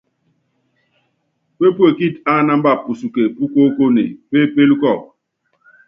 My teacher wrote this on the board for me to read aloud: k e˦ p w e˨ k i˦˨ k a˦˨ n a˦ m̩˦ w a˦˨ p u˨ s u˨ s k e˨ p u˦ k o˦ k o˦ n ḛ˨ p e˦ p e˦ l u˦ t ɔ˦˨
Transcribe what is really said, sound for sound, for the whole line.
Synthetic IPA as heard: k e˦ p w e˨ k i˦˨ t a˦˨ n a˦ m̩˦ b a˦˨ p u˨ s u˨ k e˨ p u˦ k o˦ k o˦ n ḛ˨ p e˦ p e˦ l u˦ k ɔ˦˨